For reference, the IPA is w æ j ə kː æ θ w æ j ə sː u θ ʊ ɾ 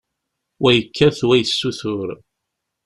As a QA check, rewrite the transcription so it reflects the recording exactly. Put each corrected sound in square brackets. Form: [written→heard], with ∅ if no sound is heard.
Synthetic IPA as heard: w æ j ə kː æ θ w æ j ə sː u θ ʊ ɾ